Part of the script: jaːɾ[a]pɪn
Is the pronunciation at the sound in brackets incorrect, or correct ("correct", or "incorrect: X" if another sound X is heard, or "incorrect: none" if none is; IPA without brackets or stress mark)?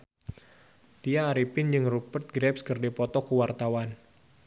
incorrect: i